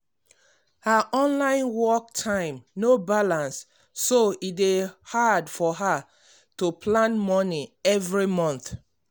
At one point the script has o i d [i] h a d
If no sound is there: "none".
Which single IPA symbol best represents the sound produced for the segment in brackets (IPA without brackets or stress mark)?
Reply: e